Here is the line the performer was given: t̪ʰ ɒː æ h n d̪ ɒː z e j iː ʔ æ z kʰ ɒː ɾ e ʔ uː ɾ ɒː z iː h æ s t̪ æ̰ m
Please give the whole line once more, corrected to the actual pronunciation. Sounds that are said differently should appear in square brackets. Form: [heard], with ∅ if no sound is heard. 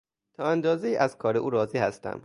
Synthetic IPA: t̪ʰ ɒː æ [∅] n d̪ ɒː z e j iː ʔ æ z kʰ ɒː ɾ e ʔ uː ɾ ɒː z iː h æ s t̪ æ̰ m